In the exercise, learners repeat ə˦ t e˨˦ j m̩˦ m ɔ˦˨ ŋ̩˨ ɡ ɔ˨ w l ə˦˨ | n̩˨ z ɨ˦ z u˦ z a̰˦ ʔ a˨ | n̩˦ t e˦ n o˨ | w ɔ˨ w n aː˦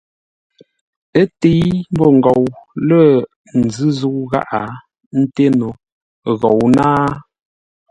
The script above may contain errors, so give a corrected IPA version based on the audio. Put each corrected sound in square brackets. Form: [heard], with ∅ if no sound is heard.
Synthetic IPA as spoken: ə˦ t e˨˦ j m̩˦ [b] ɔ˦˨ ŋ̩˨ ɡ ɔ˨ w l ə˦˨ | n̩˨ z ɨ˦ z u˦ [ɣ] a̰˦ ʔ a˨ | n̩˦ t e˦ n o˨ | [ɣ] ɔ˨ w n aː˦